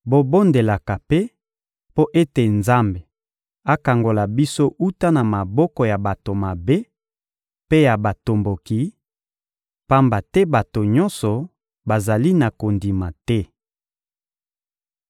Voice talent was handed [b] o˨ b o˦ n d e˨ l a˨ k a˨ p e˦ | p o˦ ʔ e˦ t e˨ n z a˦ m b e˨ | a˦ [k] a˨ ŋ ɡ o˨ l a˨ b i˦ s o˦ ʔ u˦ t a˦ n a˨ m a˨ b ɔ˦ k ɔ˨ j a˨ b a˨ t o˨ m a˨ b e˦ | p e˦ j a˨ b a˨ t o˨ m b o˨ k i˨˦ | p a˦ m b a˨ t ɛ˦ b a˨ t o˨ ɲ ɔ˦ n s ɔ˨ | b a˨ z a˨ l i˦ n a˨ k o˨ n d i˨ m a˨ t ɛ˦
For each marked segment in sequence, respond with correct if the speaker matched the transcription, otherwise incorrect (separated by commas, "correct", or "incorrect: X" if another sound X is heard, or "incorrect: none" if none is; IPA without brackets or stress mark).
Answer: correct, correct